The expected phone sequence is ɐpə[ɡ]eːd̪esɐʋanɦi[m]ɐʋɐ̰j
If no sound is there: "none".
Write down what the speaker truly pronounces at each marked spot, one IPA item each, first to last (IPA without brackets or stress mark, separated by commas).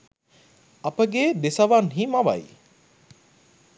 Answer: ɡ, m